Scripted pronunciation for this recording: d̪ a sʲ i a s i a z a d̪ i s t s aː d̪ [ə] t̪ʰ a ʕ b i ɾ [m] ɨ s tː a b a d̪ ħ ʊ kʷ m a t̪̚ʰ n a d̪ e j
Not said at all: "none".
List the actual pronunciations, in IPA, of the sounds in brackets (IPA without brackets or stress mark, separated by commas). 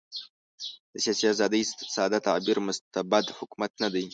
a, m